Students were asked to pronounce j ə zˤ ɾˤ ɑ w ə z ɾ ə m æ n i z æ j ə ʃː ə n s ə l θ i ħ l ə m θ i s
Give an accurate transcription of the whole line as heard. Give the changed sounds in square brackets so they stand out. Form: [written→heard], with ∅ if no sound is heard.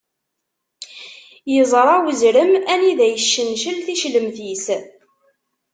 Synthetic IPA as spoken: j ə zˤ ɾˤ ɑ w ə z ɾ ə m æ n i [z→ð] æ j ə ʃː ə n [s→ʃ] ə l θ i [ħ→ʃ] l ə m θ i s